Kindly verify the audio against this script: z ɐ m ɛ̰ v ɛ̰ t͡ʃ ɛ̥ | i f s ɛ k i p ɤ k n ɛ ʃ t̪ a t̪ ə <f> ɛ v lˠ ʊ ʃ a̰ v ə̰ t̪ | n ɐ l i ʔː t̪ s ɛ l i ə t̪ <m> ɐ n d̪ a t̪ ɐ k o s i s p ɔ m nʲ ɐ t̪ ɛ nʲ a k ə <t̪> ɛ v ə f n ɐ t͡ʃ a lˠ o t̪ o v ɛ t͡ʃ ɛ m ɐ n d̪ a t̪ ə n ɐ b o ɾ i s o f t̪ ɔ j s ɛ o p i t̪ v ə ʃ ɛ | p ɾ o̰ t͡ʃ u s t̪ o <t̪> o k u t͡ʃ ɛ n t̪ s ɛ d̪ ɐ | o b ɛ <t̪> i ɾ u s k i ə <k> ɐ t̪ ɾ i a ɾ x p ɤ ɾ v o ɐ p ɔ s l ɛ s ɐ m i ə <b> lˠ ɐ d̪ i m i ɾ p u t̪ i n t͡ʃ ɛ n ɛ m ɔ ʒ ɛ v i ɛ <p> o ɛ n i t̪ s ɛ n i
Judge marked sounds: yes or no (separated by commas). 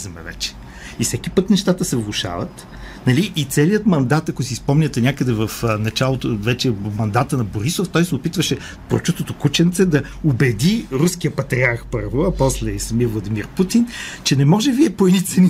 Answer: no, yes, no, yes, no, no, no, yes